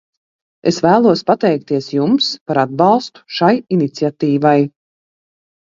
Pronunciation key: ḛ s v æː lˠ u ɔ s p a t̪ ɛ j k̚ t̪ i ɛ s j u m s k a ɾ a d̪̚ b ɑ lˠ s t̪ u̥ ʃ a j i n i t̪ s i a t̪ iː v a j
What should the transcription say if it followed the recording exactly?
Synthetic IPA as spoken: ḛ s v æː lˠ u ɔ s p a t̪ ɛ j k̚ t̪ i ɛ s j u m s p a ɾ a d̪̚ b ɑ lˠ s t̪ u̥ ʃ a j i n i t̪ s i a t̪ iː v a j